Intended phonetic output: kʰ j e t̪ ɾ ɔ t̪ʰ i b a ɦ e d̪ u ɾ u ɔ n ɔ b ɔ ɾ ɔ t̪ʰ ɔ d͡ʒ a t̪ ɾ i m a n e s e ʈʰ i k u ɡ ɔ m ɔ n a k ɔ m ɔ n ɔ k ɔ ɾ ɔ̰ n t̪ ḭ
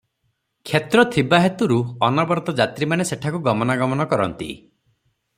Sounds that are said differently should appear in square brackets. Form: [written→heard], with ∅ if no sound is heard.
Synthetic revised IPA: kʰ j e t̪ ɾ ɔ t̪ʰ i b a ɦ e [d̪→t̪] u ɾ u ɔ n ɔ b ɔ ɾ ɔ [t̪ʰ→t̪] ɔ d͡ʒ a t̪ ɾ i m a n e s e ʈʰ [i→a] k u ɡ ɔ m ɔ n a [k→ɡ] ɔ m ɔ n ɔ k ɔ ɾ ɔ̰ n t̪ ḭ